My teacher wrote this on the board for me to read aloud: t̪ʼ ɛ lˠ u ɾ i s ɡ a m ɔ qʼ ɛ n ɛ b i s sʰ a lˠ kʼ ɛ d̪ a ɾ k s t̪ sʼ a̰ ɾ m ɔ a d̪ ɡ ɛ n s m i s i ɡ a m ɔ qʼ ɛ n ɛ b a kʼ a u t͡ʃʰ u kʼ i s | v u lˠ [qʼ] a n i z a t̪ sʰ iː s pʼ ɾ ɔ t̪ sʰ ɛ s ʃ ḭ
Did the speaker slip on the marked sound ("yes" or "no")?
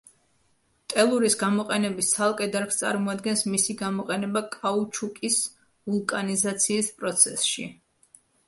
yes